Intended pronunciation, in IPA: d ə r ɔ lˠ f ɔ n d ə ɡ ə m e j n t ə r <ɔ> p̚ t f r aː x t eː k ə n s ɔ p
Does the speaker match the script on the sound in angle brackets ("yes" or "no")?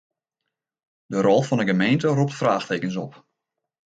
no